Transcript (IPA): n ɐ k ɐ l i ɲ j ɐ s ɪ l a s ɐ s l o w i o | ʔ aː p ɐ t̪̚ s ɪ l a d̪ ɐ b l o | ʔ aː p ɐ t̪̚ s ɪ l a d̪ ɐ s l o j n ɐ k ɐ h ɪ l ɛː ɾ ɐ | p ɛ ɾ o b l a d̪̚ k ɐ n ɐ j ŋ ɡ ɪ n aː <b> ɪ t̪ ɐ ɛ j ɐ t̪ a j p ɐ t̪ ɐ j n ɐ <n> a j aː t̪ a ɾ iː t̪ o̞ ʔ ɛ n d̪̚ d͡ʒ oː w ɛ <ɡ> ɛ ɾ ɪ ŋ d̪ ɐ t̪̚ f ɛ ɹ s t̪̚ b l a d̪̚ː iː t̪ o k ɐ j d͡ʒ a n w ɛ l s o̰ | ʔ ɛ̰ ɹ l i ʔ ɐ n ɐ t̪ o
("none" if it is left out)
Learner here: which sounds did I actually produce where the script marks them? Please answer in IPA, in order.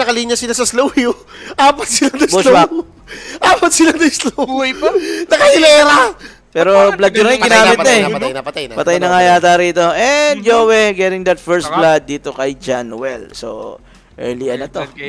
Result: m, ŋ, ɡ

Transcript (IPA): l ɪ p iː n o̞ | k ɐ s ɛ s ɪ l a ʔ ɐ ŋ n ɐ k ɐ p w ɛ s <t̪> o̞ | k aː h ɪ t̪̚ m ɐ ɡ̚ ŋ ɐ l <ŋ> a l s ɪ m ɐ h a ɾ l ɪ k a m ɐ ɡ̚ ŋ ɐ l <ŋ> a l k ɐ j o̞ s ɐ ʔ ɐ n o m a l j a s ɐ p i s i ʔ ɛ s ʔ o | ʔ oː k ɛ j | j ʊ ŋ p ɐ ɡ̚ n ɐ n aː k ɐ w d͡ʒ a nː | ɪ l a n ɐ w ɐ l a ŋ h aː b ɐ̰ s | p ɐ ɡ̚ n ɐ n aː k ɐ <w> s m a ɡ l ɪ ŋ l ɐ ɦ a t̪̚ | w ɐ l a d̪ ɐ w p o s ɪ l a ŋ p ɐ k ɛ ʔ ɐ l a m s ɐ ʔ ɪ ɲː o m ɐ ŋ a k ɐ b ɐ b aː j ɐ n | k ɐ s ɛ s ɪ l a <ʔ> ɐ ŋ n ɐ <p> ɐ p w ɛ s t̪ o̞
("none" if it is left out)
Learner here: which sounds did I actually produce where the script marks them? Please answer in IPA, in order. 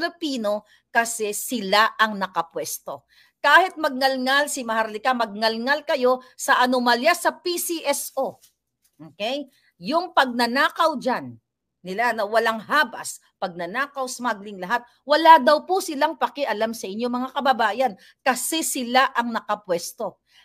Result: t̪, ŋ, ŋ, w, ʔ, k

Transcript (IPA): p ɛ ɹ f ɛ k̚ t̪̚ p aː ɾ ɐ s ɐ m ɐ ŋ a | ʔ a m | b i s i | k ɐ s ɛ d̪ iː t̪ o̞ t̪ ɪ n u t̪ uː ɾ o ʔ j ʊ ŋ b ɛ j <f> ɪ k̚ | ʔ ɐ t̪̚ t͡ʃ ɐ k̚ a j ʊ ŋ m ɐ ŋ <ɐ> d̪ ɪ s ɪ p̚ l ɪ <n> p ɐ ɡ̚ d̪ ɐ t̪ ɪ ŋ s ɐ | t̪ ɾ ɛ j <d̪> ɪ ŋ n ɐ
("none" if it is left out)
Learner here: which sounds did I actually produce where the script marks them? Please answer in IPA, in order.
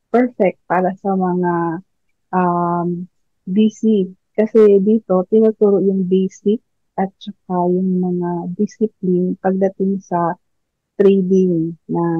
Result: s, a, n, d̪

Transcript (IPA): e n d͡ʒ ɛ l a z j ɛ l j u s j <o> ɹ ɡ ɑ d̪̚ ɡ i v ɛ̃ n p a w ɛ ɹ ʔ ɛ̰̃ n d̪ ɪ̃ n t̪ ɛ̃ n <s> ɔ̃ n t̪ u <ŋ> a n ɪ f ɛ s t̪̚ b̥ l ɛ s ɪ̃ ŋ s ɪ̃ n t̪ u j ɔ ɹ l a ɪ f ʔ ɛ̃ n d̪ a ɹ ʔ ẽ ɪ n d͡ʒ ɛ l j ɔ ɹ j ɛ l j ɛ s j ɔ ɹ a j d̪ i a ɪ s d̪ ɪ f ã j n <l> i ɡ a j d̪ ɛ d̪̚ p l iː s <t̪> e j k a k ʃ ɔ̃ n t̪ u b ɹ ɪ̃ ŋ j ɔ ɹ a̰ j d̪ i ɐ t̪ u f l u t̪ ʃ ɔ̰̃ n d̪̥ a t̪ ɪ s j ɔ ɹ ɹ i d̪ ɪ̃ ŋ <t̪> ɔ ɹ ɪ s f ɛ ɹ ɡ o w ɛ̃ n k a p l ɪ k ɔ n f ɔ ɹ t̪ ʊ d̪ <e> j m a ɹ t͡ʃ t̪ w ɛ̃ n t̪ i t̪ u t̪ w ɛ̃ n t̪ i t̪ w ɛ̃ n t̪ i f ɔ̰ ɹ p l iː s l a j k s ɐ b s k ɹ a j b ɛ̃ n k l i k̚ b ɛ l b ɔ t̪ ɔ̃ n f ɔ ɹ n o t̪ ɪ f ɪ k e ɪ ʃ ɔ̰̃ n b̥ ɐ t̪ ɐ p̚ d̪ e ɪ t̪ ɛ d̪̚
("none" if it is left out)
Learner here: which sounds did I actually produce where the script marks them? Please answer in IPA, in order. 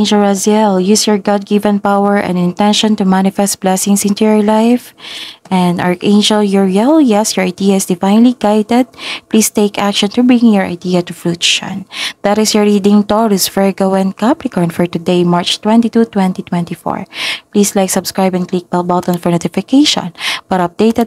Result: ɔ, ʃ, m, l, t̪, t̪, e

